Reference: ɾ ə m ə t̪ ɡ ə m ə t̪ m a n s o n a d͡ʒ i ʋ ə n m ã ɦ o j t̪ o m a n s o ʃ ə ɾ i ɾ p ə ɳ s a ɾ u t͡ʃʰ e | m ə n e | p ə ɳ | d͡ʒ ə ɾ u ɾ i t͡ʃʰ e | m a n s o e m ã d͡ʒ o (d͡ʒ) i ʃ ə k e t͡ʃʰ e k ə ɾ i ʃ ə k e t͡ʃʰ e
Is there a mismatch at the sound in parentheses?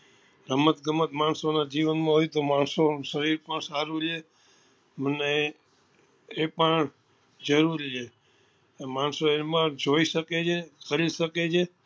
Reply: yes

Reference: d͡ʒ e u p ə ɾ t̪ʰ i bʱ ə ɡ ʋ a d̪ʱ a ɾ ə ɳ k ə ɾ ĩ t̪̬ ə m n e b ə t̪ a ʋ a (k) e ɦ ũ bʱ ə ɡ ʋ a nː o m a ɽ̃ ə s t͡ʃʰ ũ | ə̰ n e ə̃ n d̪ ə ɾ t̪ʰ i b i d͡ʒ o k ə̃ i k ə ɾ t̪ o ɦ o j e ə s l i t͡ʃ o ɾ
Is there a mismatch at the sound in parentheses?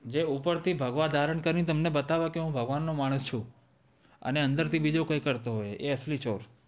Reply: no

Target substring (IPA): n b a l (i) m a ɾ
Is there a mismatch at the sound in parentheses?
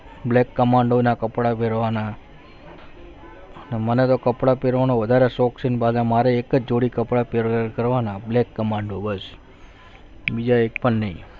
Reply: yes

